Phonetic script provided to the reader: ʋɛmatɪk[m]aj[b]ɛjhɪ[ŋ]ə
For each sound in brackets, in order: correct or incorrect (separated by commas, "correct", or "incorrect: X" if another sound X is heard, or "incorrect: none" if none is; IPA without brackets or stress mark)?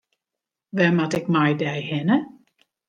correct, incorrect: d, incorrect: n